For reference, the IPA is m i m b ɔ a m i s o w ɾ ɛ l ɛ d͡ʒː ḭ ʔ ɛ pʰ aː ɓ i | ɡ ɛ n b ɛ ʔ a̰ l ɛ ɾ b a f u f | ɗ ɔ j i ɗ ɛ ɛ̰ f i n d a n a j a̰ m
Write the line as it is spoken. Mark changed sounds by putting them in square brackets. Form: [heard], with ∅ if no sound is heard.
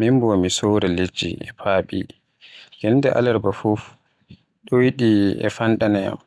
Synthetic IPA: m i m b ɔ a m i s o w ɾ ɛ l [e] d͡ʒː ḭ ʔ ɛ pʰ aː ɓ i | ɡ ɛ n [d] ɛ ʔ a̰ l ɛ ɾ b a f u f | ɗ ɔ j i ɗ [i] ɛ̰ f [a] n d a n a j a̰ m